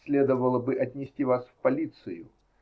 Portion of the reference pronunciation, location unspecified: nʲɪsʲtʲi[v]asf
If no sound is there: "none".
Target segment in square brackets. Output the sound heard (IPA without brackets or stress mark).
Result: v